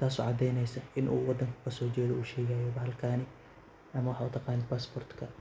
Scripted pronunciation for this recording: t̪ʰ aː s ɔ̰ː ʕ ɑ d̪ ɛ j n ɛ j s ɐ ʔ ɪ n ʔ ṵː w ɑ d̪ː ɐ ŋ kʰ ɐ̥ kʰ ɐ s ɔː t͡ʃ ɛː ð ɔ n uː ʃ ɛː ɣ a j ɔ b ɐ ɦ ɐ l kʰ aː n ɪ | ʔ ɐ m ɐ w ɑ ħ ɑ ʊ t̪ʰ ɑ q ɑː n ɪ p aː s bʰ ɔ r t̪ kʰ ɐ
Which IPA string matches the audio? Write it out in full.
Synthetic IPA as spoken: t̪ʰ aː s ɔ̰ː ʕ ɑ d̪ ɛ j n ɛ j s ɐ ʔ ɪ n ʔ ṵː w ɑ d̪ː ɐ ŋ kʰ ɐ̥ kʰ ɐ s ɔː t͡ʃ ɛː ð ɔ uː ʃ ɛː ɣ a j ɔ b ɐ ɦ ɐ l kʰ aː n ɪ | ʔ ɐ m ɐ w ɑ ħ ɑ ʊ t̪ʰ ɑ q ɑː n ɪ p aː s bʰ ɔ r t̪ kʰ ɐ

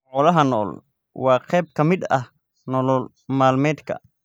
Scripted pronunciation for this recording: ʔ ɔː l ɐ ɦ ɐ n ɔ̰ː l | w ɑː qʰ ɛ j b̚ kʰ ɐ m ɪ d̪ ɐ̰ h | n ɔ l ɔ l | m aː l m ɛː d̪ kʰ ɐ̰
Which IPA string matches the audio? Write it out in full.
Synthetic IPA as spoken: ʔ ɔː l ɐ ɦ ɐ n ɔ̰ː l | w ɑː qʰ ɛ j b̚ kʰ ɐ m ɪ d̪ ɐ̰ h | n ɔ l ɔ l | m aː l m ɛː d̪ kʰ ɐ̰

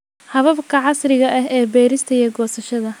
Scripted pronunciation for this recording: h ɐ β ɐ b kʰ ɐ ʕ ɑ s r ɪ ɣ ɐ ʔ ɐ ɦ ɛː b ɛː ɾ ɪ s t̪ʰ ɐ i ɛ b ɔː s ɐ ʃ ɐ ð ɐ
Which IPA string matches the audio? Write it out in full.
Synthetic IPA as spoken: h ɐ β ɐ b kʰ ɐ ʕ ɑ s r ɪ ɣ ɐ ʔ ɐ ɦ ɛː b ɛː ɾ ɪ s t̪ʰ ɐ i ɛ ɡ ɔː s ɐ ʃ ɐ ð ɐ

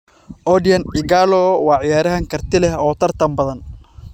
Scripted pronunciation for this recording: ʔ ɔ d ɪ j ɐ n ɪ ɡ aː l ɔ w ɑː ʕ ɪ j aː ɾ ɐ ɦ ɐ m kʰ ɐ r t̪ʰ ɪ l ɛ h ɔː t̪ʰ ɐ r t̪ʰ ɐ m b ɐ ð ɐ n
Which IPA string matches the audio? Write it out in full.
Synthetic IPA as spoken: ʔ ɔ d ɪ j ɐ n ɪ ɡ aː l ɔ w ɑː ʕ ɪ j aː ɾ ɐ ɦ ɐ ŋ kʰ ɐ r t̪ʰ ɪ l ɛ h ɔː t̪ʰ ɐ r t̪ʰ ɐ m b ɐ ð ɐ n

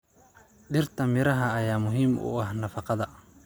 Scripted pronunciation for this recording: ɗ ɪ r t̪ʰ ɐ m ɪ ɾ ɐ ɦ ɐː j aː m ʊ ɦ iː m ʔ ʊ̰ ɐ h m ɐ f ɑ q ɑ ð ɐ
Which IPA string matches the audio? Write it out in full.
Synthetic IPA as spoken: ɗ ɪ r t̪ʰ ɐ m ɪ ɾ ɐ ɦ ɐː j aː m ʊ ɦ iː m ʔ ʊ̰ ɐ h n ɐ f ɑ q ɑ ð ɐ

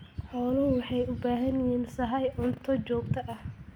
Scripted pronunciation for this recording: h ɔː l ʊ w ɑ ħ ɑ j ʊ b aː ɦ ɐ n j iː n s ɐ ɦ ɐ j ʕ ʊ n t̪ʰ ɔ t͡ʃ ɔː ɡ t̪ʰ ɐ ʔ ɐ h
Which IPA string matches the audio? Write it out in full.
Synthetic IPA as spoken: ħ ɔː l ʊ w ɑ ħ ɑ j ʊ b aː ɦ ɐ n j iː n s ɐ ɦ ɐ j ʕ ʊ n t̪ʰ ɔ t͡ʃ ɔː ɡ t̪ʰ ɐ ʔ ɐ h

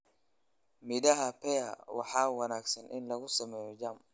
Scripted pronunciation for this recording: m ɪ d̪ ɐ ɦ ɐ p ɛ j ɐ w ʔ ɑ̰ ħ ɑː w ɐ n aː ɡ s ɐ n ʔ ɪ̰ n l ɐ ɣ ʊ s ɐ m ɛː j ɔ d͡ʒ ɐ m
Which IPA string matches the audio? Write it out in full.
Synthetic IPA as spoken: m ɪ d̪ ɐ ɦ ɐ p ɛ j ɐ w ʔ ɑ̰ ħ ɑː w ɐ n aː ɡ s ɐ n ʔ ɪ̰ n l ɐ ɣ ʊ s ɐ m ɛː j ɔ d͡ʒ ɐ m

